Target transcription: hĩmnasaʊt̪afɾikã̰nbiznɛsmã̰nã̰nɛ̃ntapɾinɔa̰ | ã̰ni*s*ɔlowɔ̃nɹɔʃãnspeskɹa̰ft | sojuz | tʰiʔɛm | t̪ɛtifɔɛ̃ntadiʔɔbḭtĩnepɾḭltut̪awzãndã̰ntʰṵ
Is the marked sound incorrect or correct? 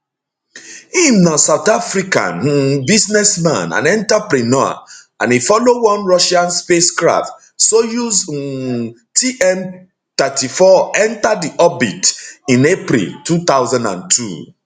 incorrect